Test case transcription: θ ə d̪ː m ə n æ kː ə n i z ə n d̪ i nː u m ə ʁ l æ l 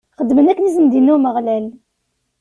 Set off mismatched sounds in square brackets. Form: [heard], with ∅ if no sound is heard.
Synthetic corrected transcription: [χ] ə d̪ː m ə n æ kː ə n i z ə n d̪ i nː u m ə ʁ l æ l